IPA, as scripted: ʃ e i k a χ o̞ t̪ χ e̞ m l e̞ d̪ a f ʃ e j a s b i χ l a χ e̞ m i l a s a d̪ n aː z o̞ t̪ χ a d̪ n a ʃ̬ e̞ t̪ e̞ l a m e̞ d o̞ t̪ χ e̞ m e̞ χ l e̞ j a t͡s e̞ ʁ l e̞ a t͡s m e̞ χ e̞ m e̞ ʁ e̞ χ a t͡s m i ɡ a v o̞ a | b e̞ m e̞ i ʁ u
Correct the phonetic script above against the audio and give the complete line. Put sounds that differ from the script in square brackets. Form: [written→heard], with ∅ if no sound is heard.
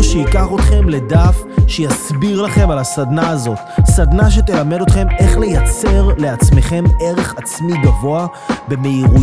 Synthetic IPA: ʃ e i k a χ o̞ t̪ χ e̞ m l e̞ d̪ a f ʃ e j a s b i [χ→ʁ] l a χ e̞ m [i→a] l a s a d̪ n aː z o̞ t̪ [χ→s] a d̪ n a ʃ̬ e̞ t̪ e̞ l a m e̞ d o̞ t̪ χ e̞ m e̞ χ l e̞ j a t͡s e̞ ʁ l e̞ a t͡s m e̞ χ e̞ m e̞ ʁ e̞ χ a t͡s m i ɡ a v o̞ a | b e̞ m e̞ i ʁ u